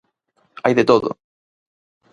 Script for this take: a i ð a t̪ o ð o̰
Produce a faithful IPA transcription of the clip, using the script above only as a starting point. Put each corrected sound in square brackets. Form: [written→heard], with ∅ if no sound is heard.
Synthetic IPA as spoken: a [i→j] ð [a→e] t̪ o ð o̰

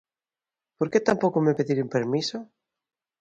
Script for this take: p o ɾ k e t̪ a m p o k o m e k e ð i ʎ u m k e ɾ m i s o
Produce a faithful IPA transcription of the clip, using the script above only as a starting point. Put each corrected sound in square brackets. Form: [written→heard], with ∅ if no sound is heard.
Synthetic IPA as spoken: p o ɾ k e t̪ a m p o k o m e [k→p] e ð i [ʎ→ɾ] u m [k→p] e ɾ m i s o

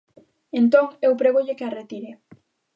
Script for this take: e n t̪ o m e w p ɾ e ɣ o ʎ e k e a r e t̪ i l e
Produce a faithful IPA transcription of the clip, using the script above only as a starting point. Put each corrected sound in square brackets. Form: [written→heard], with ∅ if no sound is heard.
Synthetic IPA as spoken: e n t̪ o [m→ŋ] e w p ɾ e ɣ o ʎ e k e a r e t̪ i [l→ɾ] e

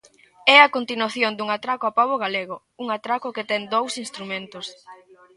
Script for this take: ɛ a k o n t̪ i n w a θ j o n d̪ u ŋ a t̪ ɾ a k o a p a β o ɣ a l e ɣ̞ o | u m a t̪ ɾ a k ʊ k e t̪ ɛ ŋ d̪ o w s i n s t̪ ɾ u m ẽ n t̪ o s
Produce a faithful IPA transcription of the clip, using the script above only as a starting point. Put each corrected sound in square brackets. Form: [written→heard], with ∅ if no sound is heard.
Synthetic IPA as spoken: ɛ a k o n t̪ i n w a θ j o n d̪ u ŋ a t̪ ɾ a k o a p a β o ɣ a l e ɣ̞ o | u [m→ŋ] a t̪ ɾ a k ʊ k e t̪ ɛ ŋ d̪ o w s i n s t̪ ɾ u m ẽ n t̪ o s

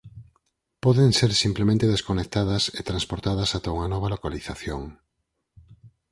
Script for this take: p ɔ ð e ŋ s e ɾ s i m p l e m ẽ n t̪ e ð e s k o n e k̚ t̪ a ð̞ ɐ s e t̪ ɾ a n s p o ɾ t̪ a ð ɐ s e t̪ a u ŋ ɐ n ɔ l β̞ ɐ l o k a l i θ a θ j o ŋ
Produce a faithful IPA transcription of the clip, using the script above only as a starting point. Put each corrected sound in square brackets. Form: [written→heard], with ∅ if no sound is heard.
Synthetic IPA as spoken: p ɔ ð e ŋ s e ɾ s i m p l e m ẽ n t̪ e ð e s k o n e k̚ t̪ a ð̞ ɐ s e t̪ ɾ a n s p o ɾ t̪ a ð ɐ s [e→a] t̪ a u ŋ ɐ n ɔ [l→∅] β̞ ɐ l o k a l i θ a θ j o ŋ

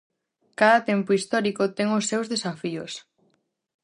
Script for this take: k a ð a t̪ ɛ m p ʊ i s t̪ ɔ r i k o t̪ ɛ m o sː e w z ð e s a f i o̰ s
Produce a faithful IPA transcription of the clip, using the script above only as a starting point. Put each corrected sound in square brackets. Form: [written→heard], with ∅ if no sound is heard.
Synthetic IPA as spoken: k a ð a t̪ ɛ m p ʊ i s t̪ ɔ [r→ɾ] i k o t̪ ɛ [m→ŋ] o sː e w z ð e s a f i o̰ s

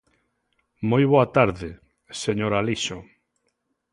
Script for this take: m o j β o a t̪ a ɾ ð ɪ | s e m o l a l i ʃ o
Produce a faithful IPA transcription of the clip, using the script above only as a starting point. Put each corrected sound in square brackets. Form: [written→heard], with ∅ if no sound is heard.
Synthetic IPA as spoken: m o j β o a t̪ a ɾ ð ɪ | s e [m→ɲ] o [l→ɾ] a l i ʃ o

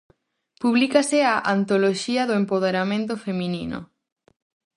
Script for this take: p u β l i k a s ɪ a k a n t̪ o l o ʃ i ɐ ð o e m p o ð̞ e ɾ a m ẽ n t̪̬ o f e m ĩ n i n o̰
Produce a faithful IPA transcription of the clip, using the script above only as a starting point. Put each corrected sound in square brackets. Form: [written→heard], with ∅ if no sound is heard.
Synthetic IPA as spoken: p u β l i k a s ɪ a [k→ʔ] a n t̪ o l o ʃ i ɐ ð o e m p o ð̞ e ɾ a m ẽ n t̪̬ o f e m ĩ n i n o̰

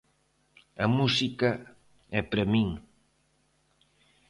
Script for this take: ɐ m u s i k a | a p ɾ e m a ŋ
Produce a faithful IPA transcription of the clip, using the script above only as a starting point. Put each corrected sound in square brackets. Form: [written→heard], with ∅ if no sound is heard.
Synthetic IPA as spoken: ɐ m u s i k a | [a→ɛ] p ɾ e m [a→i] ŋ

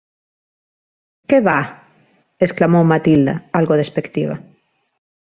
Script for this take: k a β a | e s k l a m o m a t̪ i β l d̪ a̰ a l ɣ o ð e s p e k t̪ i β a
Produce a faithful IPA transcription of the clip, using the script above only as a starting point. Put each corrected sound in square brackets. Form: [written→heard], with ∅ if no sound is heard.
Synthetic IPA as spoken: k [a→e] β a | e s k l a m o m a t̪ i [β→∅] l d̪ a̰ a l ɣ o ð e s p e k t̪ i β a

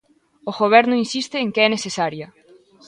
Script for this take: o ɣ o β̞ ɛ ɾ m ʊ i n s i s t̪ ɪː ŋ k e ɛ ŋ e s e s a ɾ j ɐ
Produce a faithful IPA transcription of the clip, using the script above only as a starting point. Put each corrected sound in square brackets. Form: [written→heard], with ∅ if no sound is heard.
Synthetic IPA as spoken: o ɣ o β̞ ɛ ɾ [m→n] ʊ i n s i s t̪ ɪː ŋ k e ɛ [ŋ→n] e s e s a ɾ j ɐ

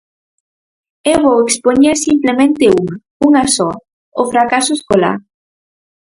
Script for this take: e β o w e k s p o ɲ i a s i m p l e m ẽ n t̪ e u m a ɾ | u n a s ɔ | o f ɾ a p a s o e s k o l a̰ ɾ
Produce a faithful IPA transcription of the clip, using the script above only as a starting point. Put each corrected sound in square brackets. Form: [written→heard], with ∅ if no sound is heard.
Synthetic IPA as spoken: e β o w e k s p o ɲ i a s i m p l e m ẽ n t̪ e u [m→ŋ] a [ɾ→∅] | u [n→ŋ] a s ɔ | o f ɾ a [p→k] a s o e s k o l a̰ ɾ

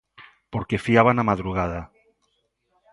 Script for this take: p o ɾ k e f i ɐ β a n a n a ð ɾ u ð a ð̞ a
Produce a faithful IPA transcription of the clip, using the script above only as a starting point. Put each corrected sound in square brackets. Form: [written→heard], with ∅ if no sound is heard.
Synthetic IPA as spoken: p o ɾ k e f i [ɐ→a] β a n a [n→m] a ð ɾ u [ð→ɣ] a ð̞ a

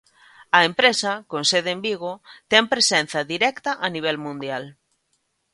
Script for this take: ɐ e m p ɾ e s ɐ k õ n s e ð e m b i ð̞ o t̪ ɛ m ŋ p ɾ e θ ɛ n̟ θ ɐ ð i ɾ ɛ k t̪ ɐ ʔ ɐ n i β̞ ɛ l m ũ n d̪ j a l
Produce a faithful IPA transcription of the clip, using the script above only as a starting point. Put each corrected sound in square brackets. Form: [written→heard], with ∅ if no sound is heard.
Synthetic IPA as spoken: ɐ e m p ɾ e s ɐ k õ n s e ð e m b i [ð̞→ɣ̞] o t̪ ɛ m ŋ p ɾ e [θ→s] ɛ n̟ θ ɐ ð i ɾ ɛ k t̪ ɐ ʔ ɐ n i β̞ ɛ l m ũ n d̪ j a l

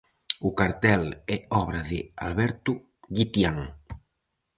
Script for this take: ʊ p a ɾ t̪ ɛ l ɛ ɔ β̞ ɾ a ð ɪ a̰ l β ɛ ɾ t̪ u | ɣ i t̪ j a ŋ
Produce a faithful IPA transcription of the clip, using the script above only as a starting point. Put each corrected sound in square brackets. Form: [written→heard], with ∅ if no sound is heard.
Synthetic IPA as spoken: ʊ [p→k] a ɾ t̪ ɛ l ɛ ɔ β̞ ɾ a ð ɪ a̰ l β ɛ ɾ t̪ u | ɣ i t̪ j a ŋ

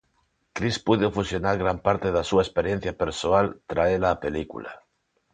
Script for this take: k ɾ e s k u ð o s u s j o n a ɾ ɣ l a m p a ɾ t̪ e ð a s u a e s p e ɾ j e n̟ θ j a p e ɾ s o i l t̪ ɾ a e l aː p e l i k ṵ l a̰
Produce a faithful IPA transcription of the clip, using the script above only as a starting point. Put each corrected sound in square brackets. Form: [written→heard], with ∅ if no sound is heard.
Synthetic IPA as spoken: k ɾ [e→i] s [k→p] u ð o [s→f] u s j o n a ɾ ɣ [l→ɾ] a m p a ɾ t̪ e ð a s u a e s p e ɾ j e n̟ θ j a p e ɾ s o [i→a] l t̪ ɾ a e l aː p e l i k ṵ l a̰

